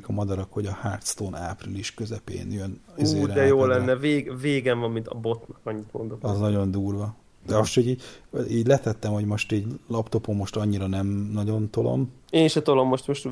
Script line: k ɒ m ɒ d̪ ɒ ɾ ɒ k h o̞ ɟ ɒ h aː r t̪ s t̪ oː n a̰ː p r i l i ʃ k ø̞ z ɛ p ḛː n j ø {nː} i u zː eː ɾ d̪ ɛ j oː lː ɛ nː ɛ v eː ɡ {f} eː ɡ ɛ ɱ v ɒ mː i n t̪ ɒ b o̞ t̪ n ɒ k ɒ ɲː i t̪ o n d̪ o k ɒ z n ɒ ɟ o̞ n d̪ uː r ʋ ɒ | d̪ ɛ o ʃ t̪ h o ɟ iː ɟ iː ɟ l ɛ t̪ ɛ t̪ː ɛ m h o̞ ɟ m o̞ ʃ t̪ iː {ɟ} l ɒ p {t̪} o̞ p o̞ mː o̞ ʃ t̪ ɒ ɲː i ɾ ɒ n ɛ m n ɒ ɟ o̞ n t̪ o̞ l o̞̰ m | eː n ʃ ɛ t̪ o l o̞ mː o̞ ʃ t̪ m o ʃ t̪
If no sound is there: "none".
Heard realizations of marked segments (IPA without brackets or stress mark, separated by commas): n, v, ɟ, t̪